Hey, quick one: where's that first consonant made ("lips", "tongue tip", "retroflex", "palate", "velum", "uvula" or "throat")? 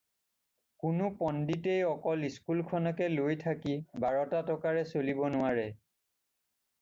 velum